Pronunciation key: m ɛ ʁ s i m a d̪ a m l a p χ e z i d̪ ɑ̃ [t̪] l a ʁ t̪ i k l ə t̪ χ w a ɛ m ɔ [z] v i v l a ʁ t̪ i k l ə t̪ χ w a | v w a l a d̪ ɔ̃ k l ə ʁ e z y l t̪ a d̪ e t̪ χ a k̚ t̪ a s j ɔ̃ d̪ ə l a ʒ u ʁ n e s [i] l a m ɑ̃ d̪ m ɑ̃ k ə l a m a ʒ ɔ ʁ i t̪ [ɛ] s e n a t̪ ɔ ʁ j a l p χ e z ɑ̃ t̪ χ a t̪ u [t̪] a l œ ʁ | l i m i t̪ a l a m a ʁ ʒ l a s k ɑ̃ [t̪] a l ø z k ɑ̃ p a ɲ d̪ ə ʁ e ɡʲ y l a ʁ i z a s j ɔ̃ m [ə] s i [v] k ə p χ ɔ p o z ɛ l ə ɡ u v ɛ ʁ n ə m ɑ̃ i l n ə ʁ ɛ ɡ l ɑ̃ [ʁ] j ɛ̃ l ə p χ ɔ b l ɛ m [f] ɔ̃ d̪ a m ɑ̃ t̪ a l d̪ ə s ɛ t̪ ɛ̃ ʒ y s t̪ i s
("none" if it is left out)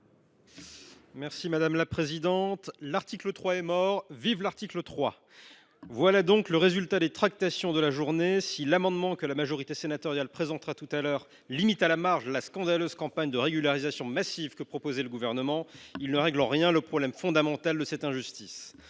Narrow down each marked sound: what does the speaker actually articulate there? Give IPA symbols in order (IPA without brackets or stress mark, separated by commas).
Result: t̪, ʁ, i, e, t̪, d̪, a, v, ʁ, f